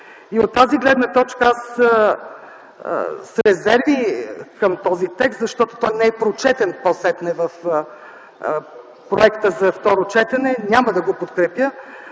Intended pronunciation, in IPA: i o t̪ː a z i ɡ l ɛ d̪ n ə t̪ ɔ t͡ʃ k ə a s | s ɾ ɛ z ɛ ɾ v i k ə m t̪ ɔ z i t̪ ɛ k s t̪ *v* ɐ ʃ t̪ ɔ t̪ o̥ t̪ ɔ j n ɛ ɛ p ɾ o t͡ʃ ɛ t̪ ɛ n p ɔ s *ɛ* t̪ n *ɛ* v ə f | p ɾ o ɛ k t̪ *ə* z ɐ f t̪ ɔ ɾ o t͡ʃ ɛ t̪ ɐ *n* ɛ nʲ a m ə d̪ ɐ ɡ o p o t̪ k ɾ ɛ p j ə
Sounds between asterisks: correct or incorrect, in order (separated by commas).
incorrect, correct, correct, correct, correct